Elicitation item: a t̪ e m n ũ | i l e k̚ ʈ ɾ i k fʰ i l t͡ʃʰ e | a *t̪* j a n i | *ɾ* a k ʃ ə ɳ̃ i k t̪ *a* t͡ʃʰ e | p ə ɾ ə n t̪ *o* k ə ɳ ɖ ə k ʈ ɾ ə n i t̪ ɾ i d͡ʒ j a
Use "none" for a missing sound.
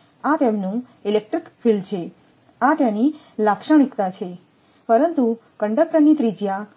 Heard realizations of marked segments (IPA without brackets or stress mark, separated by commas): t̪, l, a, u